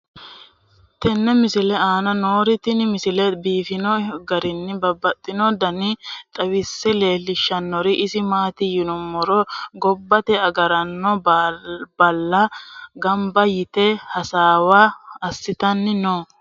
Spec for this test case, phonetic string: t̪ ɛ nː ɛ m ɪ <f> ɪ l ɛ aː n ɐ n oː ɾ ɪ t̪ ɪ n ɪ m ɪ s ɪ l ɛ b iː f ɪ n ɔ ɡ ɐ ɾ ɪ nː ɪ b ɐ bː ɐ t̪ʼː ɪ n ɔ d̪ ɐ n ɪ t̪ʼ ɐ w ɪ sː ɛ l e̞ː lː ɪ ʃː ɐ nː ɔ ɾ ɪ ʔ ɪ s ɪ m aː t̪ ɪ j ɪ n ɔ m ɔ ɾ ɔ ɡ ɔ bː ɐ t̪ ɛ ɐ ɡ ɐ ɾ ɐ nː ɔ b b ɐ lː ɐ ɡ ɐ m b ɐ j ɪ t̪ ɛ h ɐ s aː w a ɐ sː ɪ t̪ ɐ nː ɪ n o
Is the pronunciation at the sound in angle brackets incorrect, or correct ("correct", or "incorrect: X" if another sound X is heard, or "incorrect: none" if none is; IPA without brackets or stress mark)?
incorrect: s